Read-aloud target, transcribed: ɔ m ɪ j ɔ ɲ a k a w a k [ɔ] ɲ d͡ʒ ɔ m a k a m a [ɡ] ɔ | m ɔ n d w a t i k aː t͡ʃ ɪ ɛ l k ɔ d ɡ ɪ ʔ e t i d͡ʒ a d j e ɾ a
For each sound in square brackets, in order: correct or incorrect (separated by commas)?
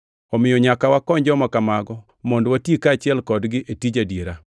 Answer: correct, correct